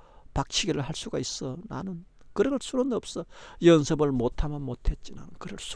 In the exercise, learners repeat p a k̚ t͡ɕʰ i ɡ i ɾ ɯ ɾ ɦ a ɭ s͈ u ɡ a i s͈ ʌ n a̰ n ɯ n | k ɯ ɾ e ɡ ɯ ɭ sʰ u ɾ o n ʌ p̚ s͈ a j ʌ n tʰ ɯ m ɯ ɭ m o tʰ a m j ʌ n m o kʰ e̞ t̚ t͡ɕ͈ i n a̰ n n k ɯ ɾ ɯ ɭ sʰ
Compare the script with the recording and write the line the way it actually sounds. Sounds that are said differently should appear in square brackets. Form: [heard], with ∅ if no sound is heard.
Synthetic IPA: p a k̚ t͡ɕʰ i ɡ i ɾ ɯ [ɭ] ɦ a ɭ s͈ u ɡ a i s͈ ʌ n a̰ n ɯ n | k ɯ ɾ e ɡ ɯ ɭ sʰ u ɾ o n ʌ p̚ s͈ [ʌ] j ʌ n [sʰ] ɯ [b] ɯ ɭ m o tʰ a m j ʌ n m o [tʰ] e̞ t̚ t͡ɕ͈ i n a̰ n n k ɯ ɾ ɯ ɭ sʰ